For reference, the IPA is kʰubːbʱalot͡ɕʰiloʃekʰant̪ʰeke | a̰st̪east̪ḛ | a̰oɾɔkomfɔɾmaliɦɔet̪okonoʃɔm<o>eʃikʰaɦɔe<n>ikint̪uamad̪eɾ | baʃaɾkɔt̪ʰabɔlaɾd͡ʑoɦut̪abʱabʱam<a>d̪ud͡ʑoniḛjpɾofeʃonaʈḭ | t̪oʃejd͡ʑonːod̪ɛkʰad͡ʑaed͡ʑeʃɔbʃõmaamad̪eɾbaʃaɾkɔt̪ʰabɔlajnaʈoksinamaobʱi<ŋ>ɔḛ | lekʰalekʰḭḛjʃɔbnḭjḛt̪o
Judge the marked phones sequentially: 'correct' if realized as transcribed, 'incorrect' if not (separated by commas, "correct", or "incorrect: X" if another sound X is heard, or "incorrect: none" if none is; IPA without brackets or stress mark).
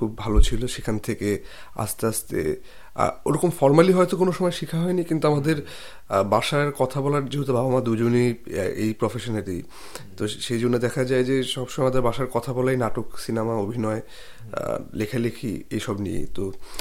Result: incorrect: ɔ, correct, correct, incorrect: n